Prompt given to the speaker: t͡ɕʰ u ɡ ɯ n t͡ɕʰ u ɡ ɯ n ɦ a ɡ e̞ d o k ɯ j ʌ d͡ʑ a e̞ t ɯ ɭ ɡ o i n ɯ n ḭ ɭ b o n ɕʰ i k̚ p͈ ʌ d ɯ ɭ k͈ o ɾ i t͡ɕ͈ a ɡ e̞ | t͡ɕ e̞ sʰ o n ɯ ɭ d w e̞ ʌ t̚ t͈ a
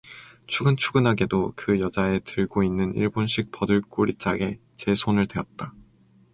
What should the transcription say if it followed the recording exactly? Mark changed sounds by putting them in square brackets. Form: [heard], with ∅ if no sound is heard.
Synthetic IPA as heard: t͡ɕʰ u ɡ ɯ n t͡ɕʰ u ɡ ɯ n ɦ a ɡ e̞ d o k ɯ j ʌ d͡ʑ a e̞ t ɯ ɭ ɡ o i [nː] ɯ n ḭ ɭ b o n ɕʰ i k̚ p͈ ʌ d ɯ ɭ k͈ o ɾ i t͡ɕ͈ a ɡ e̞ | t͡ɕ e̞ sʰ o n ɯ ɭ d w e̞ ʌ t̚ t͈ a